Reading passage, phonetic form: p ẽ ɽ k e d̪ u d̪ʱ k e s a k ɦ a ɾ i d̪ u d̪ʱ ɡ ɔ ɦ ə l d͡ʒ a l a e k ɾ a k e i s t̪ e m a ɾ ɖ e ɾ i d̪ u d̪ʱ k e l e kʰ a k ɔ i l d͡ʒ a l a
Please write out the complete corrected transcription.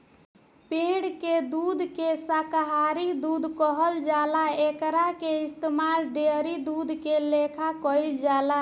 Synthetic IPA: p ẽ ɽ k e d̪ u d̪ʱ k e s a k ɦ a ɾ i d̪ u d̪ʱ k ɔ ɦ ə l d͡ʒ a l a e k ɾ a k e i s t̪ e m a ɾ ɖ e ɾ i d̪ u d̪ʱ k e l e kʰ a k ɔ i l d͡ʒ a l a